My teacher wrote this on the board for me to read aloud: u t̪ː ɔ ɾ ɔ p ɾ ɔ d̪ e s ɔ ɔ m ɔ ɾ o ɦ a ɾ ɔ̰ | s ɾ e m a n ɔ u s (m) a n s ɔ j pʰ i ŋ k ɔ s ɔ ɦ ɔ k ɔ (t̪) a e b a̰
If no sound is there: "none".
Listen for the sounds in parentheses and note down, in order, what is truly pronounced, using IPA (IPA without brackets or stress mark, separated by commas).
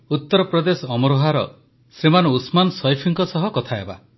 m, t̪ʰ